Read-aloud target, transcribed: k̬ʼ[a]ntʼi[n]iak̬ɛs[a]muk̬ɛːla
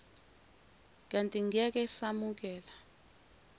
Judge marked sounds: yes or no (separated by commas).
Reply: yes, no, yes